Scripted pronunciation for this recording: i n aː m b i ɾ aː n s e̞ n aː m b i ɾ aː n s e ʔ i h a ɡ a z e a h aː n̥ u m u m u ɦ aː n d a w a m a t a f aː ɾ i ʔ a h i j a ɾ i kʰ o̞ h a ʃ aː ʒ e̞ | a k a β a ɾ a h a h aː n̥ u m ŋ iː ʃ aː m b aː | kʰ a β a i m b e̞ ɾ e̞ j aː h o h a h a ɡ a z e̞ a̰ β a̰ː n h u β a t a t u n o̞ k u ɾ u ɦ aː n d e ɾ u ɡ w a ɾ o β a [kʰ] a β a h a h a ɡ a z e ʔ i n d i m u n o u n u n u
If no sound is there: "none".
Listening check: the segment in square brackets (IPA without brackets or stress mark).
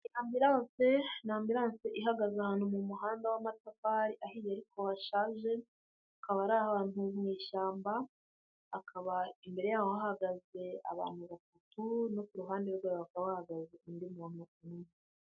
k